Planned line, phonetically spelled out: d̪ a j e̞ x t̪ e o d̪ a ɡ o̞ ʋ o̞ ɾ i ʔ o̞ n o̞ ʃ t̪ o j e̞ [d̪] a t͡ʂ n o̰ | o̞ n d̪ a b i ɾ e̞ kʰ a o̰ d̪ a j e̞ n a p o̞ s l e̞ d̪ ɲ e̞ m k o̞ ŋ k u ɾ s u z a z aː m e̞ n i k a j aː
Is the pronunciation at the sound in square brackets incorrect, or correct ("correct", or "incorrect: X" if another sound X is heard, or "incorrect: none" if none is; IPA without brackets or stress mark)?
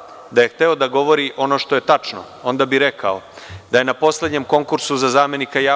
incorrect: t̪